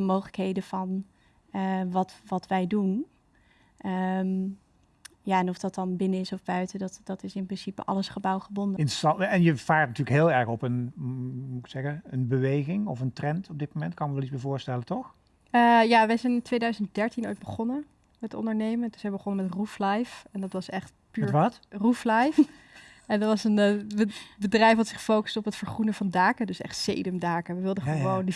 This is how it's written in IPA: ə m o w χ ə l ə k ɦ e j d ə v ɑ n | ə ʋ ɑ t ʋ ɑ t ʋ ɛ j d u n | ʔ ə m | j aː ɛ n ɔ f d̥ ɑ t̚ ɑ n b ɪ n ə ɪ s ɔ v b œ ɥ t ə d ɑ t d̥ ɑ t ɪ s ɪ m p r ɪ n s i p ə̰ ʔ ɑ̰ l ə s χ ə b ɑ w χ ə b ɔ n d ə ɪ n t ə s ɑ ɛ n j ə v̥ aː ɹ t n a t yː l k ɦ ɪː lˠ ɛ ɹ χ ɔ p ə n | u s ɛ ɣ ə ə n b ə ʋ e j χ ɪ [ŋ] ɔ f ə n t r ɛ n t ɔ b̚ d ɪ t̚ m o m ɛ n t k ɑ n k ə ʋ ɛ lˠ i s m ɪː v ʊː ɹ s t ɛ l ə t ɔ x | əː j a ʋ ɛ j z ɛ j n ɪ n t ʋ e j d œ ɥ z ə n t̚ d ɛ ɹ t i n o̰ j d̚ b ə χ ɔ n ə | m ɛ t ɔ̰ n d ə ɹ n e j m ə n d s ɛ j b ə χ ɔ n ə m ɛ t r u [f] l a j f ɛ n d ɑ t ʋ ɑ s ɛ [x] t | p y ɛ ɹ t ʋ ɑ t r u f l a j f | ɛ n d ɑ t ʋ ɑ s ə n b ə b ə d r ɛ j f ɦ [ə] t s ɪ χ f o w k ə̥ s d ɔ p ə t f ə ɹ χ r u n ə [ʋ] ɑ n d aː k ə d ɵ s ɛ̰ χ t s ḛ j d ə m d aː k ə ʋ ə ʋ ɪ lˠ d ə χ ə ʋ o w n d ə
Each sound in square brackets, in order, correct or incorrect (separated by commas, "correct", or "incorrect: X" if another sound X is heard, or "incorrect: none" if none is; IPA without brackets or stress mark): correct, correct, incorrect: χ, incorrect: ɑ, incorrect: v